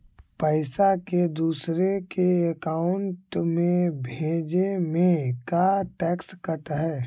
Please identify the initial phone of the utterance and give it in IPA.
p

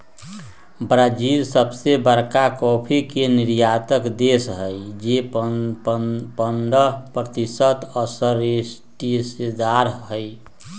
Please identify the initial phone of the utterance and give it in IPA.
b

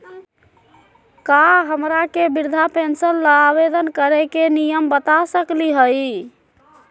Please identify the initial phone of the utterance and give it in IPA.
k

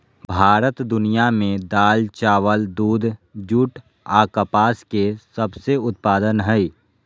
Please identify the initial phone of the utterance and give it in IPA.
bʱ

